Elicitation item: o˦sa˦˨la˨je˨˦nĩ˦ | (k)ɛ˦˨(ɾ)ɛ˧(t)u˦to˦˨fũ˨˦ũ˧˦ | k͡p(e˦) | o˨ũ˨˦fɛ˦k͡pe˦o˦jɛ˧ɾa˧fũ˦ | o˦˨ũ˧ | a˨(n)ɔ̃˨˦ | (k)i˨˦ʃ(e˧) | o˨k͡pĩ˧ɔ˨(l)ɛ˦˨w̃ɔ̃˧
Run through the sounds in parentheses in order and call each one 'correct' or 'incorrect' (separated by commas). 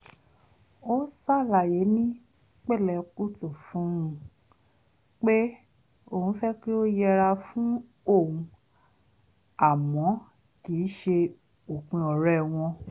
incorrect, incorrect, incorrect, correct, incorrect, correct, correct, incorrect